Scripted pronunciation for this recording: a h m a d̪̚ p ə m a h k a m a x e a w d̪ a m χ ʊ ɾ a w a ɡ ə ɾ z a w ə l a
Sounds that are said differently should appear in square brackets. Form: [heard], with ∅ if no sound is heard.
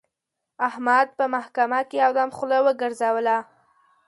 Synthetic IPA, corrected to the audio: a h m a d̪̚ p ə m a h k a m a [k] e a w d̪ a m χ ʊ [l] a w [ə] ɡ ə ɾ z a w ə l a